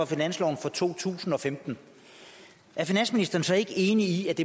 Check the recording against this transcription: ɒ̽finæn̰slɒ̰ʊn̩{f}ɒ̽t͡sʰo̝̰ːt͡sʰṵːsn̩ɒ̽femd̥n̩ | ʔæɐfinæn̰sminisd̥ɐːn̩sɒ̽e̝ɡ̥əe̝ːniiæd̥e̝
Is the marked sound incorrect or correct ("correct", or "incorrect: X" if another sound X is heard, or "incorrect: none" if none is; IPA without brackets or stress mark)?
correct